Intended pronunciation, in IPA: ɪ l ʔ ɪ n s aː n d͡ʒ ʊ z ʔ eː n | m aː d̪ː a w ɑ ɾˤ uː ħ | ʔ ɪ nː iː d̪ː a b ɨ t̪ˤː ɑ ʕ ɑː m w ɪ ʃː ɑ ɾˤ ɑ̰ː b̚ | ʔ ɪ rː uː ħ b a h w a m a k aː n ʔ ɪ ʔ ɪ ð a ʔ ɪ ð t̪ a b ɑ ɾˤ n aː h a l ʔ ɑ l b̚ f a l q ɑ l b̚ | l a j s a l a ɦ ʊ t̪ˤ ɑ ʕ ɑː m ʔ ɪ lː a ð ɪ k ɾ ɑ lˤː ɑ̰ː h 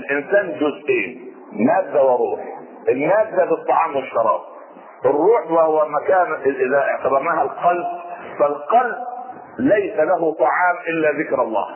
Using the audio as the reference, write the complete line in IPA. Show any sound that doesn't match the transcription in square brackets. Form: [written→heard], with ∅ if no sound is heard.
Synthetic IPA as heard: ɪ l ʔ ɪ n s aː n d͡ʒ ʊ z ʔ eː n | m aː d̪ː a w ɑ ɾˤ uː ħ | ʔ ɪ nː [iː→aː] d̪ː a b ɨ t̪ˤː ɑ ʕ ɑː m w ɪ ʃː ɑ ɾˤ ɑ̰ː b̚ | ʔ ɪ rː uː ħ [b→w] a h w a m a k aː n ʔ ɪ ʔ ɪ ð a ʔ ɪ [ð→ʕ] t̪ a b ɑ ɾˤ n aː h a l [ʔ→q] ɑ l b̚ f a l q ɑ l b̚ | l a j s a l a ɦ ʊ t̪ˤ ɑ ʕ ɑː m ʔ ɪ lː a ð ɪ k ɾ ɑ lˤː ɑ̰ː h